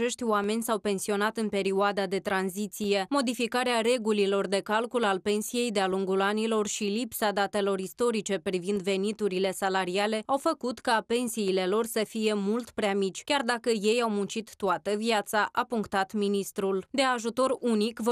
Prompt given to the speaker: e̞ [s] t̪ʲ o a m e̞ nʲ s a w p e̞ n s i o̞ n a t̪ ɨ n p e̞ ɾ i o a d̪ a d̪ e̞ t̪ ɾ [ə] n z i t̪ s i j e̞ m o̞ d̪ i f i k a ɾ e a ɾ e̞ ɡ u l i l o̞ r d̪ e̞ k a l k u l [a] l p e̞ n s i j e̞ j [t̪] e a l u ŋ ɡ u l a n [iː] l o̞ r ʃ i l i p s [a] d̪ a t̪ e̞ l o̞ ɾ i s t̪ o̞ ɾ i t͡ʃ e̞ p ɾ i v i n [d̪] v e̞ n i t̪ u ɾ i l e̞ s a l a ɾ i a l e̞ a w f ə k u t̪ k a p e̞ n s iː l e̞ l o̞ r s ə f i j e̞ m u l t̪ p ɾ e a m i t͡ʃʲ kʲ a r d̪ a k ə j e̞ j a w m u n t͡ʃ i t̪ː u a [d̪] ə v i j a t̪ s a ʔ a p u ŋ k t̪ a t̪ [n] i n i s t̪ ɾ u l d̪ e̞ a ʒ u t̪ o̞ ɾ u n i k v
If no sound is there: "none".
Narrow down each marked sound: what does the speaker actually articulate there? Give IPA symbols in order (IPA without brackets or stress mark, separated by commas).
ʃ, a, a, d̪, i, a, d̪, t̪, m